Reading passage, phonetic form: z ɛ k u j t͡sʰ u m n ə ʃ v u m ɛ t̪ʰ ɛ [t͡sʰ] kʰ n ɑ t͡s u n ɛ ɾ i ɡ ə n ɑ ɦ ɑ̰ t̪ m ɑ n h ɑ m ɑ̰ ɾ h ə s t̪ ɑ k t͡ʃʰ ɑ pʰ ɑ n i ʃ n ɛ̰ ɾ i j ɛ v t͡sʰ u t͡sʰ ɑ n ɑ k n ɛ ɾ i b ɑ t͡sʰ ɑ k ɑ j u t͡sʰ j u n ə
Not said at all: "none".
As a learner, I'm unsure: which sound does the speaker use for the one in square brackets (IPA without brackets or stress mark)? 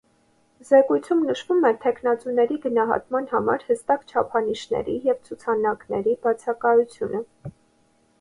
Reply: none